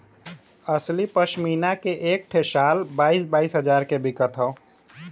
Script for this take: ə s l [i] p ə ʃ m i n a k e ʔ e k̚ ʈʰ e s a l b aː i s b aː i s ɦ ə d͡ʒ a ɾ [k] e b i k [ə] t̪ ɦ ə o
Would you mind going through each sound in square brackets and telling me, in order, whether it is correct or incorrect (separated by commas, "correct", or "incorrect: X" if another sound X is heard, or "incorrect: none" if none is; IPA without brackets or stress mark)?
correct, correct, correct